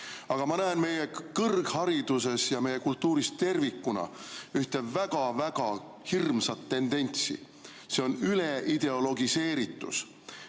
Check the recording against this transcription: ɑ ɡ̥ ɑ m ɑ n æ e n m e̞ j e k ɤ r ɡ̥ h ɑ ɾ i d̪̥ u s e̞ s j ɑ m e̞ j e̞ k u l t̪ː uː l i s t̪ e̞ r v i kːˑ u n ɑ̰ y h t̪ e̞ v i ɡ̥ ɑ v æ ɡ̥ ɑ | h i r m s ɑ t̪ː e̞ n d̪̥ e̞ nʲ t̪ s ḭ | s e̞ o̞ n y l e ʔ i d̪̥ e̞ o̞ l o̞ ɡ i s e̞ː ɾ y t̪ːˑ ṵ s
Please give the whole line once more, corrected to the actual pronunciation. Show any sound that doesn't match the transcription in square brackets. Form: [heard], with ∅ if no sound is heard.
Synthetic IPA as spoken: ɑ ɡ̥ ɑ m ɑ n æ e n m e̞ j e k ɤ r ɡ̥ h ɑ ɾ i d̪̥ u s e̞ s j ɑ m e̞ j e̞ k u l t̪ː uː [ɾ] i s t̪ e̞ r v i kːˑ u n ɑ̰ y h t̪ e̞ v [æ] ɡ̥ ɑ v æ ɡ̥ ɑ | h i r m s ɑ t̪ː e̞ n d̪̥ e̞ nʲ t̪ s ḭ | s e̞ o̞ n y l e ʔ i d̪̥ e̞ o̞ l o̞ ɡ i s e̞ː ɾ [i] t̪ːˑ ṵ s